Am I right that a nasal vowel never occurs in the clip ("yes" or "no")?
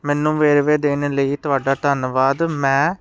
no